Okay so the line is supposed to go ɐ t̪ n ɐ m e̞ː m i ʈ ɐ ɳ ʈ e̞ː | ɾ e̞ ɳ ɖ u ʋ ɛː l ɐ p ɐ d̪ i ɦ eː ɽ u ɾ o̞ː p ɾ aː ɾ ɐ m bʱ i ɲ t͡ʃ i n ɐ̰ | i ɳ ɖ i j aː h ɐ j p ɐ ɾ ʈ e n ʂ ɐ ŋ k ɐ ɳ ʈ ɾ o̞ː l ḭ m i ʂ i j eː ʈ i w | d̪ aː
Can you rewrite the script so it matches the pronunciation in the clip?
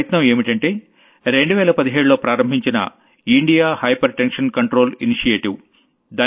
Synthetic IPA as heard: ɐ t̪ n ɐ m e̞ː m i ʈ ɐ ɳ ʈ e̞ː | ɾ e̞ ɳ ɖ u ʋ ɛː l ɐ p ɐ d̪ i ɦ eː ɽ u l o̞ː p ɾ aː ɾ ɐ m bʱ i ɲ t͡ʃ i n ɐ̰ | i ɳ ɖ i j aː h ɐ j p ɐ ɾ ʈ e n ʂ ɐ n k ɐ ɳ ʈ ɾ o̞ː l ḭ n i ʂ i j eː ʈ i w | d̪ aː